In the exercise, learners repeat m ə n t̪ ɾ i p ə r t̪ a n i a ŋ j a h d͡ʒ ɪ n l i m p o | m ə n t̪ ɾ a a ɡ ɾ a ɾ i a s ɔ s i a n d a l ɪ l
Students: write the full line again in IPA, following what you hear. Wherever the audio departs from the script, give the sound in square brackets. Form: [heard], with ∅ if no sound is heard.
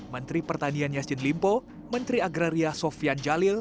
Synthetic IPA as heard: m ə n t̪ ɾ i p ə r t̪ a n i a [n] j a [s] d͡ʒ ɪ n l i m p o | m ə n t̪ ɾ [i] a ɡ ɾ a ɾ i a s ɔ [f] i a n [d͡ʒ] a l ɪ l